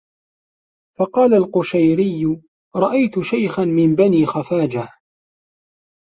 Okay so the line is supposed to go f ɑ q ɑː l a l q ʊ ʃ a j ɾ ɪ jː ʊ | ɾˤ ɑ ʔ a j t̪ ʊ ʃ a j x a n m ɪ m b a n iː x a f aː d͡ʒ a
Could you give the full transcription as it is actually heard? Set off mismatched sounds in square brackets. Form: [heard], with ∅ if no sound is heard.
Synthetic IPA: f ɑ q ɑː l a l q ʊ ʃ a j ɾ ɪ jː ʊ | ɾˤ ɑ ʔ a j t̪ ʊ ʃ a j x a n m ɪ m b a n iː x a f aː d͡ʒ a